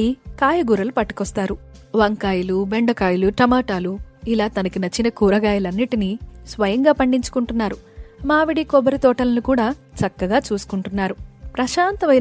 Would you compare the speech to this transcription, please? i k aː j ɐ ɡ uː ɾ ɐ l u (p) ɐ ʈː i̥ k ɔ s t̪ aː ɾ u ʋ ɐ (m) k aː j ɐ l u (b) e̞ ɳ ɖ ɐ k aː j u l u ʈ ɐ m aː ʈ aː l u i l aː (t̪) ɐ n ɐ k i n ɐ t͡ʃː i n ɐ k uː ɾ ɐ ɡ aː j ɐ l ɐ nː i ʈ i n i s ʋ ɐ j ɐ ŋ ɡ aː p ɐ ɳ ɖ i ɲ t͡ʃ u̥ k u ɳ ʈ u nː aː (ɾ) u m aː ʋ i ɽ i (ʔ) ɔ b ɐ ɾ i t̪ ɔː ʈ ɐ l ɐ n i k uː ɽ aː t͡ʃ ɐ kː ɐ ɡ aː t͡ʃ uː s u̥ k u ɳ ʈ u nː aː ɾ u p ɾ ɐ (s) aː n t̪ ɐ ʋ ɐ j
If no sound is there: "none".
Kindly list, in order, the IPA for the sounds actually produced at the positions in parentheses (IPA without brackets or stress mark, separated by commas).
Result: p, ŋ, b, t̪, ɾ, k, ʃ